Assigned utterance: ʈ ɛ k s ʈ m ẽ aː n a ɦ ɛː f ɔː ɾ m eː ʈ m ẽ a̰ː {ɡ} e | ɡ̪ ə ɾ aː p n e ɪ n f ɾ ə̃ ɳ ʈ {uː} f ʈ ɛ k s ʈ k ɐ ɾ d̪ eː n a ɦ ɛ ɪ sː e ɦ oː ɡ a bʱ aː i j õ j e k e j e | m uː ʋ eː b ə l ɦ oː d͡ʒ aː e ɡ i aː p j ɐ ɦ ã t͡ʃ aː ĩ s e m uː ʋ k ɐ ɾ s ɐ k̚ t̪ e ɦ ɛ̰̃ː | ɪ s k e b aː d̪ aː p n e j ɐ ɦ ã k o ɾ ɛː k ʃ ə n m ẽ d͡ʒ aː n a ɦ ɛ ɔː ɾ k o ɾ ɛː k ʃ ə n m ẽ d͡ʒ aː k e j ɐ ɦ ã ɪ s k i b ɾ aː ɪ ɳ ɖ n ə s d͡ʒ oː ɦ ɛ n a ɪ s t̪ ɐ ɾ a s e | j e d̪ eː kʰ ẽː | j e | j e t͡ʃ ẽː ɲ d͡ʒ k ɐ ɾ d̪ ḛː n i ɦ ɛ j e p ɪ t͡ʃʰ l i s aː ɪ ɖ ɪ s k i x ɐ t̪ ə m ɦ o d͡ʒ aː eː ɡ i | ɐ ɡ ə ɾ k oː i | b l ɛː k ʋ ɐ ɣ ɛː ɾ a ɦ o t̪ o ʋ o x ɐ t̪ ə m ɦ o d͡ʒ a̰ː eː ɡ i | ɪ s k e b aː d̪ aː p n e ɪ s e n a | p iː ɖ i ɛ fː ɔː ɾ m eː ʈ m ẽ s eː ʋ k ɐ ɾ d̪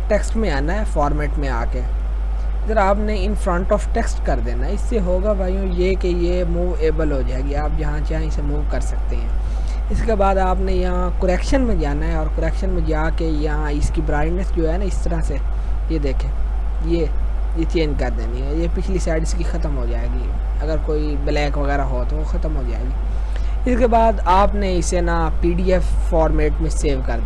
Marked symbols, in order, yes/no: no, no

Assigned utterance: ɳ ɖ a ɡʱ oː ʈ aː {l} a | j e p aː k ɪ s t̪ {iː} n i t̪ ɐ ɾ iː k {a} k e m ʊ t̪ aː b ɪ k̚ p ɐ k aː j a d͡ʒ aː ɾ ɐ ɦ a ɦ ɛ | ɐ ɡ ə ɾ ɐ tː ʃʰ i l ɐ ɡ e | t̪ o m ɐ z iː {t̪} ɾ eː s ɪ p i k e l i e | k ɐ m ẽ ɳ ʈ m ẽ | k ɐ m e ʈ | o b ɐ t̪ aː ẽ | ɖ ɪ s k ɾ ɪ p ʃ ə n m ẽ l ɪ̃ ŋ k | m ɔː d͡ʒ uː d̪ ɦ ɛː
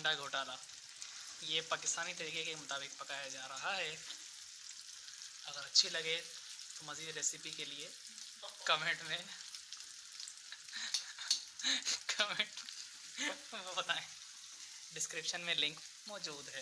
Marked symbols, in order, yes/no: yes, no, no, no

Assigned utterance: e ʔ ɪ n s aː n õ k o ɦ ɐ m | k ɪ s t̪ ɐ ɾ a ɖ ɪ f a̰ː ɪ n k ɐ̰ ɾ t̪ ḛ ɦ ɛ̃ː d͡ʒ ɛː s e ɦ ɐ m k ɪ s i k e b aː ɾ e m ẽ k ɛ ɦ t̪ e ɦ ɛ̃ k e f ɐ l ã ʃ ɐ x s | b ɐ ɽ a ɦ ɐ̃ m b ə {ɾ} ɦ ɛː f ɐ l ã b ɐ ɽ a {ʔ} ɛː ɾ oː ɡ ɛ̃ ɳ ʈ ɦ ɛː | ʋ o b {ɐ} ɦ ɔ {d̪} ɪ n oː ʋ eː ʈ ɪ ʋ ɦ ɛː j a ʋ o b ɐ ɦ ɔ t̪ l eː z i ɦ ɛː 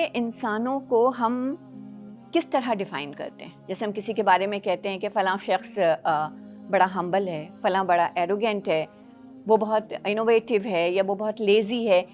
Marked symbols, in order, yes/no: no, yes, yes, no

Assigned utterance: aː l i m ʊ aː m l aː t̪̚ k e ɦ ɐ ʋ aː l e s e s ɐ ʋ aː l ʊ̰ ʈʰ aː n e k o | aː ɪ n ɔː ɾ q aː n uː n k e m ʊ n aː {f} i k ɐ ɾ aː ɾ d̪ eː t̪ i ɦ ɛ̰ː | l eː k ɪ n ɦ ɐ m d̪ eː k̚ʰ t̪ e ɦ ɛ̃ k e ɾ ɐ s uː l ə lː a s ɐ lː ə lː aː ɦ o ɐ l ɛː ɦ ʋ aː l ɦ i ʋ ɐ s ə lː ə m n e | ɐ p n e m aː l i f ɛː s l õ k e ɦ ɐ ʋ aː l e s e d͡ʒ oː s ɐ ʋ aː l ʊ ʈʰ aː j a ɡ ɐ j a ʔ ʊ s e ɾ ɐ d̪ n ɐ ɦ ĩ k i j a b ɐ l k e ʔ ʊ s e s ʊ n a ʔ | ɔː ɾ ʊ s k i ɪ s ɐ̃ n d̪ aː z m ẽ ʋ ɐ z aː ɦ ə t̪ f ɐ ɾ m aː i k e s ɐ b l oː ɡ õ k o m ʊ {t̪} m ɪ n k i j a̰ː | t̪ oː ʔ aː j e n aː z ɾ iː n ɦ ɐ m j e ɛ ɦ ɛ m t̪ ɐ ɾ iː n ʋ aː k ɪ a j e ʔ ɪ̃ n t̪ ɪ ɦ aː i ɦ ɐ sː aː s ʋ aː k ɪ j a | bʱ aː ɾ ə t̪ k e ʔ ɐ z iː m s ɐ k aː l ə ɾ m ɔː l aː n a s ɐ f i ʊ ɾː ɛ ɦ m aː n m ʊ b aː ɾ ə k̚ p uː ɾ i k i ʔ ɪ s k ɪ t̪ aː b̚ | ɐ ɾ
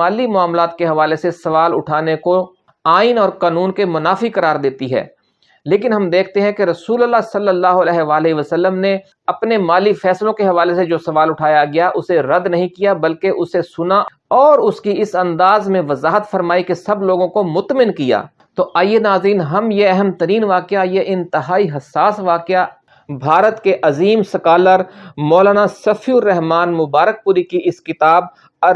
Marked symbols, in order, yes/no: yes, yes

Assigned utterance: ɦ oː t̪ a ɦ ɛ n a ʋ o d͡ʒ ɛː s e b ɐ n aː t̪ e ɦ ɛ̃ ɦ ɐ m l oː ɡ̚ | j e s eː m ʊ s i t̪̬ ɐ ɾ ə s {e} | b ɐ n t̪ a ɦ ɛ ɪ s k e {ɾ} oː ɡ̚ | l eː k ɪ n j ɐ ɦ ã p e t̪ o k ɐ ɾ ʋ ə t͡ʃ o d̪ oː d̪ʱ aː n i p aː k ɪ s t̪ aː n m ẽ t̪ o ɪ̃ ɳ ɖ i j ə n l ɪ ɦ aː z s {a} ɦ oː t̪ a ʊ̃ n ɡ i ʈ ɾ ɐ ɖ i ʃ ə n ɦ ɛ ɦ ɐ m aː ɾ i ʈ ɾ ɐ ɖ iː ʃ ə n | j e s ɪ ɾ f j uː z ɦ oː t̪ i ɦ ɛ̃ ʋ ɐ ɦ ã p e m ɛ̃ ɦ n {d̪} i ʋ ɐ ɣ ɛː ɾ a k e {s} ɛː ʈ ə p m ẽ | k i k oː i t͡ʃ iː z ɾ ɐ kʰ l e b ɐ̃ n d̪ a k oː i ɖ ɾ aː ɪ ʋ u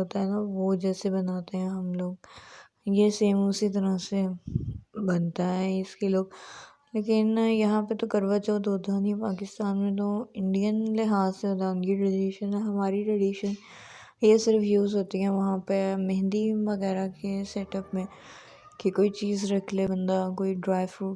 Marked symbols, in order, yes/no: yes, no, no, yes, yes

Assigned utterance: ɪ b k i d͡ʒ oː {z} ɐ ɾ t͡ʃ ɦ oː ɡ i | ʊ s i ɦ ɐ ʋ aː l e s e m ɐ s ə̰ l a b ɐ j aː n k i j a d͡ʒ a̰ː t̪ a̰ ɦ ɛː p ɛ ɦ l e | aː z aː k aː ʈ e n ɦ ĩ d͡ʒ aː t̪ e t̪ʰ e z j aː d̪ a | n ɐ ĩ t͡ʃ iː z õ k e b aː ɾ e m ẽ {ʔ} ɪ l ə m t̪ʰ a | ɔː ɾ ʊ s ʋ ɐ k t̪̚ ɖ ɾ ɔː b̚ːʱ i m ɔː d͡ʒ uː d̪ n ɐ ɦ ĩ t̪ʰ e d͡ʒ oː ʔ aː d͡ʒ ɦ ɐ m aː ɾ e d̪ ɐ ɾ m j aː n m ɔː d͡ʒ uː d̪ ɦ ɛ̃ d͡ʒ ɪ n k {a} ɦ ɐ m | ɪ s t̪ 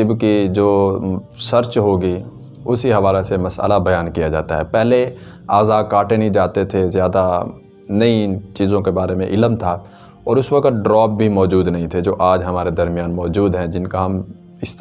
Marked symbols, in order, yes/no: no, yes, yes

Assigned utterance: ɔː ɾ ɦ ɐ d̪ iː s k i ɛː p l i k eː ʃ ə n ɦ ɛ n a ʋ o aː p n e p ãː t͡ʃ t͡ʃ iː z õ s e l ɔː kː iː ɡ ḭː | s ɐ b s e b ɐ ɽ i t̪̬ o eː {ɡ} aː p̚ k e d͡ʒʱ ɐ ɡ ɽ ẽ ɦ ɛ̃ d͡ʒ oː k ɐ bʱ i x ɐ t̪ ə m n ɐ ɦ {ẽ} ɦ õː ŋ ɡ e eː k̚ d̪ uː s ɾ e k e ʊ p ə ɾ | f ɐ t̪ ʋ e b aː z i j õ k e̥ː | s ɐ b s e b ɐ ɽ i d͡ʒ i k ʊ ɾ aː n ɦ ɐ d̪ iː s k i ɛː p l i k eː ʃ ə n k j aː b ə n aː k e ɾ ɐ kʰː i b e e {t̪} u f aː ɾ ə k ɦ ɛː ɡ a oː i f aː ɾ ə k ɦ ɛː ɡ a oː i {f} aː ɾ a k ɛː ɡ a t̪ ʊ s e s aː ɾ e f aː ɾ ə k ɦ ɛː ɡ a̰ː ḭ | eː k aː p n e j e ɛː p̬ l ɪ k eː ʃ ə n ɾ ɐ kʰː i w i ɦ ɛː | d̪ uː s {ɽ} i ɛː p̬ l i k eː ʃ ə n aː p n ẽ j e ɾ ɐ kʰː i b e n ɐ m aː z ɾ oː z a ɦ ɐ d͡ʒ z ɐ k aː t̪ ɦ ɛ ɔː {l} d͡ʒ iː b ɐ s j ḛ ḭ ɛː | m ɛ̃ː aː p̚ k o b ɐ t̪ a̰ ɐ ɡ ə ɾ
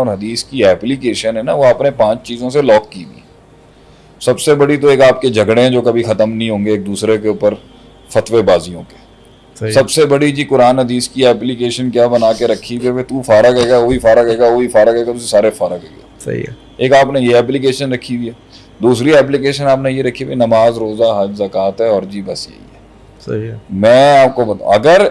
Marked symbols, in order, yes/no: no, no, yes, yes, no, no

